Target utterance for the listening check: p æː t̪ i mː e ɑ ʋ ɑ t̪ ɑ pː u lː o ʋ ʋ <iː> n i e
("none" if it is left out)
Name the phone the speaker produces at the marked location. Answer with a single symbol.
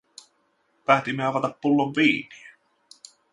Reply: iː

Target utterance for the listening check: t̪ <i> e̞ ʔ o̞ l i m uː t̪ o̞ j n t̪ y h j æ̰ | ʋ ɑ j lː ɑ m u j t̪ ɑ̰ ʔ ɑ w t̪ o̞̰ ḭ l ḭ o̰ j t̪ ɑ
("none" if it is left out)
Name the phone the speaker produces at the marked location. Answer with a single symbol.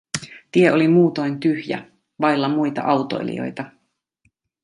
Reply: i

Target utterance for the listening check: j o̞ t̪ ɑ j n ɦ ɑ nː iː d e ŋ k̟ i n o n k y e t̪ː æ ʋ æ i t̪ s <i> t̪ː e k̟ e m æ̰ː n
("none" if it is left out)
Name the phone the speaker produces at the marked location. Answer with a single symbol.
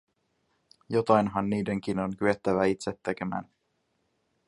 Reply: e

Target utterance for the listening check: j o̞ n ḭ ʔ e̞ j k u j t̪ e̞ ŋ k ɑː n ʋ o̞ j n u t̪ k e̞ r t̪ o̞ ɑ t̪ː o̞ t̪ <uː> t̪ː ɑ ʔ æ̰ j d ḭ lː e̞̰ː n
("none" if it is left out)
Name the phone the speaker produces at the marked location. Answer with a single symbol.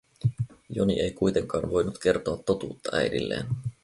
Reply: uː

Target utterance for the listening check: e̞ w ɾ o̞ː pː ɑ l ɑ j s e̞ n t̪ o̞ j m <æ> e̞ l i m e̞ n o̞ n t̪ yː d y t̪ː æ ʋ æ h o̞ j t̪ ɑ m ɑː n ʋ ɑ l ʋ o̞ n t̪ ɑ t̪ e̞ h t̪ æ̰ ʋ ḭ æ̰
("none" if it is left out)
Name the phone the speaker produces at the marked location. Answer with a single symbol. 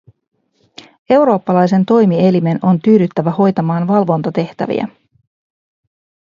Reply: i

